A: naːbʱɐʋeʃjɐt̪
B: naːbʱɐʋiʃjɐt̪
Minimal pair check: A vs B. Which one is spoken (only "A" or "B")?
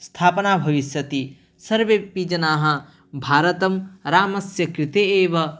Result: B